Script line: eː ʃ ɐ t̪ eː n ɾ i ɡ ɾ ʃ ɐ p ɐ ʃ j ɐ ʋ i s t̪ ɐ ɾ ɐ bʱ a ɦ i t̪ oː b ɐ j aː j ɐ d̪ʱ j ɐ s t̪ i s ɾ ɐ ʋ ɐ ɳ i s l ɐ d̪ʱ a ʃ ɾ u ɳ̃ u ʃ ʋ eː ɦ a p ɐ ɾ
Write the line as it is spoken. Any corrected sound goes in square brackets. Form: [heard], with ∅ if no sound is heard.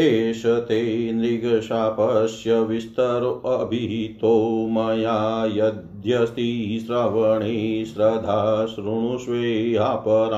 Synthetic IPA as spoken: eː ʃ ɐ t̪ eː n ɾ i ɡ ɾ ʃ [a] p ɐ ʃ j ɐ ʋ i s t̪ ɐ ɾ ɐ bʱ [i] ɦ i t̪ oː [m] ɐ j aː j ɐ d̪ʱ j ɐ s t̪ i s ɾ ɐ ʋ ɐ ɳ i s [ɾ] ɐ d̪ʱ a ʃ ɾ u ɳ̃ u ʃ ʋ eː ɦ a p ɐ ɾ